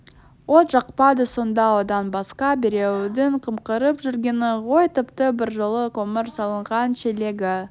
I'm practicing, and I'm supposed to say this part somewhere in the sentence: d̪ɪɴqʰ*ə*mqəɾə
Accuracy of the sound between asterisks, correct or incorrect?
correct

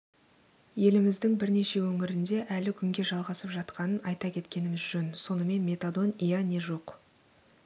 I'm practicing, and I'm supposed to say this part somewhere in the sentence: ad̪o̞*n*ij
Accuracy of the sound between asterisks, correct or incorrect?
correct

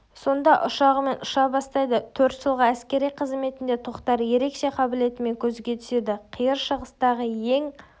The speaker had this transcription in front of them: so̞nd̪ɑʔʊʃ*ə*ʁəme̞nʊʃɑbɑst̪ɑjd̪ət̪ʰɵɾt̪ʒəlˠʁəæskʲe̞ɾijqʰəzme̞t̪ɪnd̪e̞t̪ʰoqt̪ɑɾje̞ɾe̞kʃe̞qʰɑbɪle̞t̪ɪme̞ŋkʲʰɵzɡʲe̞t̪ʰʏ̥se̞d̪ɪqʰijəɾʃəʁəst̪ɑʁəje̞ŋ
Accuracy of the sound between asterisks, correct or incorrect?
incorrect: ɑ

